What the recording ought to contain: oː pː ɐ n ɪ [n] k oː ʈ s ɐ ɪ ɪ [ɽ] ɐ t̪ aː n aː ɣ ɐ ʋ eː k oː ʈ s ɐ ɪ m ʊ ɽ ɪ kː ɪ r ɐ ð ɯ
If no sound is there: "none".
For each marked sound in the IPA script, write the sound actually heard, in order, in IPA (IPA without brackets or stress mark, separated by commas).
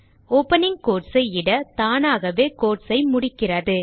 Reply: ŋ, ɽ